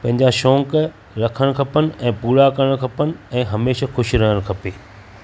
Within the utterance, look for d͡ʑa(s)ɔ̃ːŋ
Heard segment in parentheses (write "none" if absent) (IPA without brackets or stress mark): ʃ